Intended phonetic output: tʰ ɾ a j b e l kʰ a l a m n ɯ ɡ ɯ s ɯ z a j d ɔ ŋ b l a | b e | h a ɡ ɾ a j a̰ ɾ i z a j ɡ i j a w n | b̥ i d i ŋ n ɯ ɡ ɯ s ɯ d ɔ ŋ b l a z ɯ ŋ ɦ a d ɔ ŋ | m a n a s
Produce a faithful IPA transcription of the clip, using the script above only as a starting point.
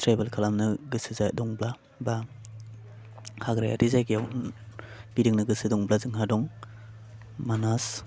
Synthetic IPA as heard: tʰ ɾ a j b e l kʰ a l a m n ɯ ɡ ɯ s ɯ z a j d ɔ ŋ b l a | b a | h a ɡ ɾ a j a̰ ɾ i z a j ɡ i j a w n | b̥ i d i ŋ n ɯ ɡ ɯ s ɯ d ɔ ŋ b l a z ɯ ŋ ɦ a d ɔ ŋ | m a n a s